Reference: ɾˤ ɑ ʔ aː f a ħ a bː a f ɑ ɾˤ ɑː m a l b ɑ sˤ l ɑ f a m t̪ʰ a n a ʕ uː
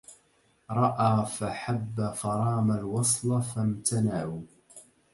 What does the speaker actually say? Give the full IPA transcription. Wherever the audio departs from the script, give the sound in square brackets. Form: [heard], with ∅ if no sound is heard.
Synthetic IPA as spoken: ɾˤ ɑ ʔ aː f a ħ a bː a f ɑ ɾˤ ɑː m a l [w] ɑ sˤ l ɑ f a m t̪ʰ a n a ʕ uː